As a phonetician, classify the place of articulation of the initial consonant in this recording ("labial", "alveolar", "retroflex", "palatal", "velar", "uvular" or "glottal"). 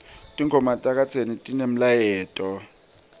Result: alveolar